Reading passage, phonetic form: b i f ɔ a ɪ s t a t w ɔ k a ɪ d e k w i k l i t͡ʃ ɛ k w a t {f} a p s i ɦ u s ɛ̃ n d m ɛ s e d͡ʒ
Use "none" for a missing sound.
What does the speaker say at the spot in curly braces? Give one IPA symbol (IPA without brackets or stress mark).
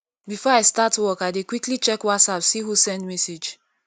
s